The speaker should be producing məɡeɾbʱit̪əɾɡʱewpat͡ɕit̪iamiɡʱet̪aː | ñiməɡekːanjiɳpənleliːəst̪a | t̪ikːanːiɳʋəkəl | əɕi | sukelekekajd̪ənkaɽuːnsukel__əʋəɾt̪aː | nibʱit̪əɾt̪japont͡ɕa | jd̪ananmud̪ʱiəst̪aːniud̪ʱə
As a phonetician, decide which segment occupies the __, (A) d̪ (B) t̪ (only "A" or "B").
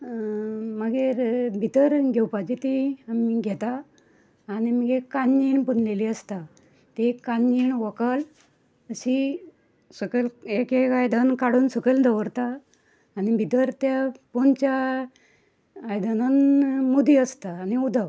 A